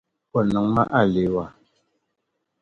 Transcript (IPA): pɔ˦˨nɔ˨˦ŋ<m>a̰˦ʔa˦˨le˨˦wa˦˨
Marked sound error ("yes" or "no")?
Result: no